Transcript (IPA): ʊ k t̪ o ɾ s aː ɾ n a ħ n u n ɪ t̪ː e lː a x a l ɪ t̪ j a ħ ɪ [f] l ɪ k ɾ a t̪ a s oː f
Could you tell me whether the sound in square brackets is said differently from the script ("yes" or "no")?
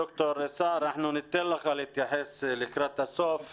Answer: yes